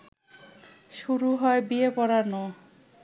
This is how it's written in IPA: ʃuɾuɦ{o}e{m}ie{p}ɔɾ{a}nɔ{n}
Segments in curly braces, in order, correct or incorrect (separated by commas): incorrect, incorrect, correct, correct, incorrect